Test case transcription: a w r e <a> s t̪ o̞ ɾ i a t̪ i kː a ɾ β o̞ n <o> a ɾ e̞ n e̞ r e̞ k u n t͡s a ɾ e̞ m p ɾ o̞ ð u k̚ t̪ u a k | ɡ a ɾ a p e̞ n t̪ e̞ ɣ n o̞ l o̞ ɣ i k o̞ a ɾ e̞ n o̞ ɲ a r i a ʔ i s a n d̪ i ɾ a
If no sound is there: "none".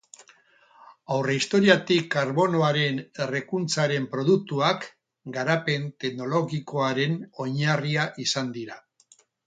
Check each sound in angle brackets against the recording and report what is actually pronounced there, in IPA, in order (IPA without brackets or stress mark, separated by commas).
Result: i, o